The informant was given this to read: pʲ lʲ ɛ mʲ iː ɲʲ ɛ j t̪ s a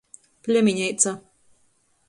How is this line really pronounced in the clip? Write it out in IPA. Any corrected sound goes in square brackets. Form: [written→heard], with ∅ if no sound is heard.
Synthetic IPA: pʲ lʲ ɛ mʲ [iː→i] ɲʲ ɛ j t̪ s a